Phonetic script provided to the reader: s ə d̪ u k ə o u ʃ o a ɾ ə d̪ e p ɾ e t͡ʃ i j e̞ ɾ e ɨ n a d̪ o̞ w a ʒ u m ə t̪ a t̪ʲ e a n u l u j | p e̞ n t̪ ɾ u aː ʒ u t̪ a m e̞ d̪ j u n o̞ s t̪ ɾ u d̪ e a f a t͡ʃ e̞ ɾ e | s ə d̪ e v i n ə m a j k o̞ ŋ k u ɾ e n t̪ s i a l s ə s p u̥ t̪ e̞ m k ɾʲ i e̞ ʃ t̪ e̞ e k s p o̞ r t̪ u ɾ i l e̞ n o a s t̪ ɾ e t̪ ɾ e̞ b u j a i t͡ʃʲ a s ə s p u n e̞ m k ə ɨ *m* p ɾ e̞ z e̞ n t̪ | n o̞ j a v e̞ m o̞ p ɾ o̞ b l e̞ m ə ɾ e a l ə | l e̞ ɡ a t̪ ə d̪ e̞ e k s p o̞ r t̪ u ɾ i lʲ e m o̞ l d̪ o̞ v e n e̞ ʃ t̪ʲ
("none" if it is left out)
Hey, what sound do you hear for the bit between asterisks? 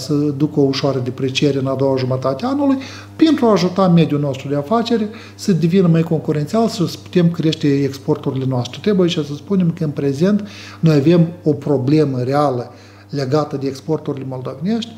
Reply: n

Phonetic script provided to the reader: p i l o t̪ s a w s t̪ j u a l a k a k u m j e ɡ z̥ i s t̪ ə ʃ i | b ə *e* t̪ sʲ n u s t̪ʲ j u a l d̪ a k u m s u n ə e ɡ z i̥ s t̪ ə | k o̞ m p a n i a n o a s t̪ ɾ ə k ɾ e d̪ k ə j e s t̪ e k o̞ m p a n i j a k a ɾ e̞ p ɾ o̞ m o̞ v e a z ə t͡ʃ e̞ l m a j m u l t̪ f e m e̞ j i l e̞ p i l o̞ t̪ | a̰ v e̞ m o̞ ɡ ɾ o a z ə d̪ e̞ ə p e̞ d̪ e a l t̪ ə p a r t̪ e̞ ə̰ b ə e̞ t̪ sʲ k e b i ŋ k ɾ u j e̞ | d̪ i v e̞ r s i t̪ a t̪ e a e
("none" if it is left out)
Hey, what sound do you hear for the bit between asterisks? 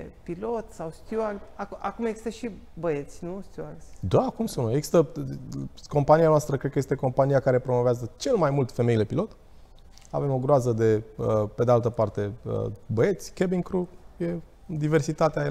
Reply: e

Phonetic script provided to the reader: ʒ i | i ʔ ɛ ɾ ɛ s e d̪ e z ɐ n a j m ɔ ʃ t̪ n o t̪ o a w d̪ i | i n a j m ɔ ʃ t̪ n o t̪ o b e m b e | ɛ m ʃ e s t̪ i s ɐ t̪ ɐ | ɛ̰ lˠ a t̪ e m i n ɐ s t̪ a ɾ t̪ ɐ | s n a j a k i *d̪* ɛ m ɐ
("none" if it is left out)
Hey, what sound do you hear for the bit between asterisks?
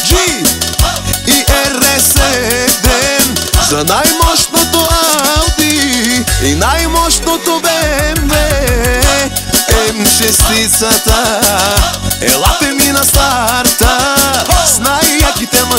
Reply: t̪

